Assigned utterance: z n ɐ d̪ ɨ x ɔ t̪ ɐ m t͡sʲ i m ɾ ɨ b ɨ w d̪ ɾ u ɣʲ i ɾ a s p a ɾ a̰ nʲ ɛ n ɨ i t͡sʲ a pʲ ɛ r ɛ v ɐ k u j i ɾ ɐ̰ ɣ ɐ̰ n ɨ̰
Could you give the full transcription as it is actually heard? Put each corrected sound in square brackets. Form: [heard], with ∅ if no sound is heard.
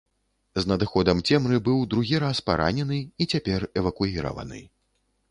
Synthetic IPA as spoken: z n ɐ d̪ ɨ x ɔ [d̪] ɐ m t͡sʲ [ɛ] m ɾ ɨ b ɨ w d̪ ɾ u ɣʲ i ɾ a s p a ɾ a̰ nʲ ɛ n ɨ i t͡sʲ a pʲ ɛ r ɛ v ɐ k u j i ɾ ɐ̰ [v] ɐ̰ n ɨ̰